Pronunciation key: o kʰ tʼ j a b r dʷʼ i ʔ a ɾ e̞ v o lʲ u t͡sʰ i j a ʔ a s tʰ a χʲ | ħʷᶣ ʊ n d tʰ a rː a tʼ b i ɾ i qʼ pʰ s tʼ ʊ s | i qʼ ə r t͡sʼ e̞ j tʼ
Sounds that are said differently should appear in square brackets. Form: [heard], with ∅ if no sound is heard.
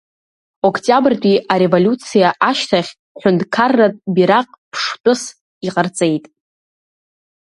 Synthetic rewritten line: o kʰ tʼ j a b r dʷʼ i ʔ a ɾ e̞ v o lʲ u t͡sʰ i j a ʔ a [ʃ] tʰ a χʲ | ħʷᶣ ʊ n d [kʰ] a rː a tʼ b i ɾ [a] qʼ pʰ [ʂ] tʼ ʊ s | i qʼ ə r t͡sʼ e̞ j tʼ